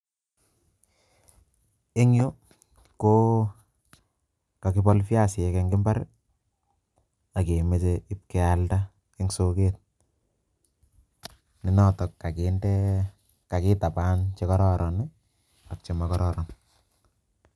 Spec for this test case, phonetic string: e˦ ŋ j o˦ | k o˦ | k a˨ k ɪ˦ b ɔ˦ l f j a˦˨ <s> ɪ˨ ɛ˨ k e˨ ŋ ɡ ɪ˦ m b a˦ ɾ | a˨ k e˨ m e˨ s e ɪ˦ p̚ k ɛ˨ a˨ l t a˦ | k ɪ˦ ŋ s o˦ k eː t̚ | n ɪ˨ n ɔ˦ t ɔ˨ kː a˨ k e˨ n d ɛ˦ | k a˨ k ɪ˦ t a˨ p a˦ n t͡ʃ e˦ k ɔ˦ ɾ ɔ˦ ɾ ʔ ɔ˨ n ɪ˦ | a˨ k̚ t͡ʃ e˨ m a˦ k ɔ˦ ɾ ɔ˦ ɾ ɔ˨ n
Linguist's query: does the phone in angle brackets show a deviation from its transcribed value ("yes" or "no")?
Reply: no